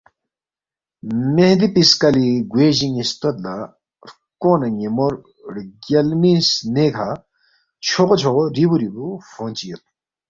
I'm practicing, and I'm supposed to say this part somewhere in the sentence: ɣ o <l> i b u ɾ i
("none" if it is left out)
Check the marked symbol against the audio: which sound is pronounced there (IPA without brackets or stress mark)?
ɾ